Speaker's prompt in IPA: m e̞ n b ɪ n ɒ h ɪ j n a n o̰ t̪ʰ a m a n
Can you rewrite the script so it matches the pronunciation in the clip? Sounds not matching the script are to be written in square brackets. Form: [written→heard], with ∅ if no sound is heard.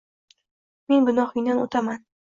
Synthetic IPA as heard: m e̞ n b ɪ n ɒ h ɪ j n a n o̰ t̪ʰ a m a n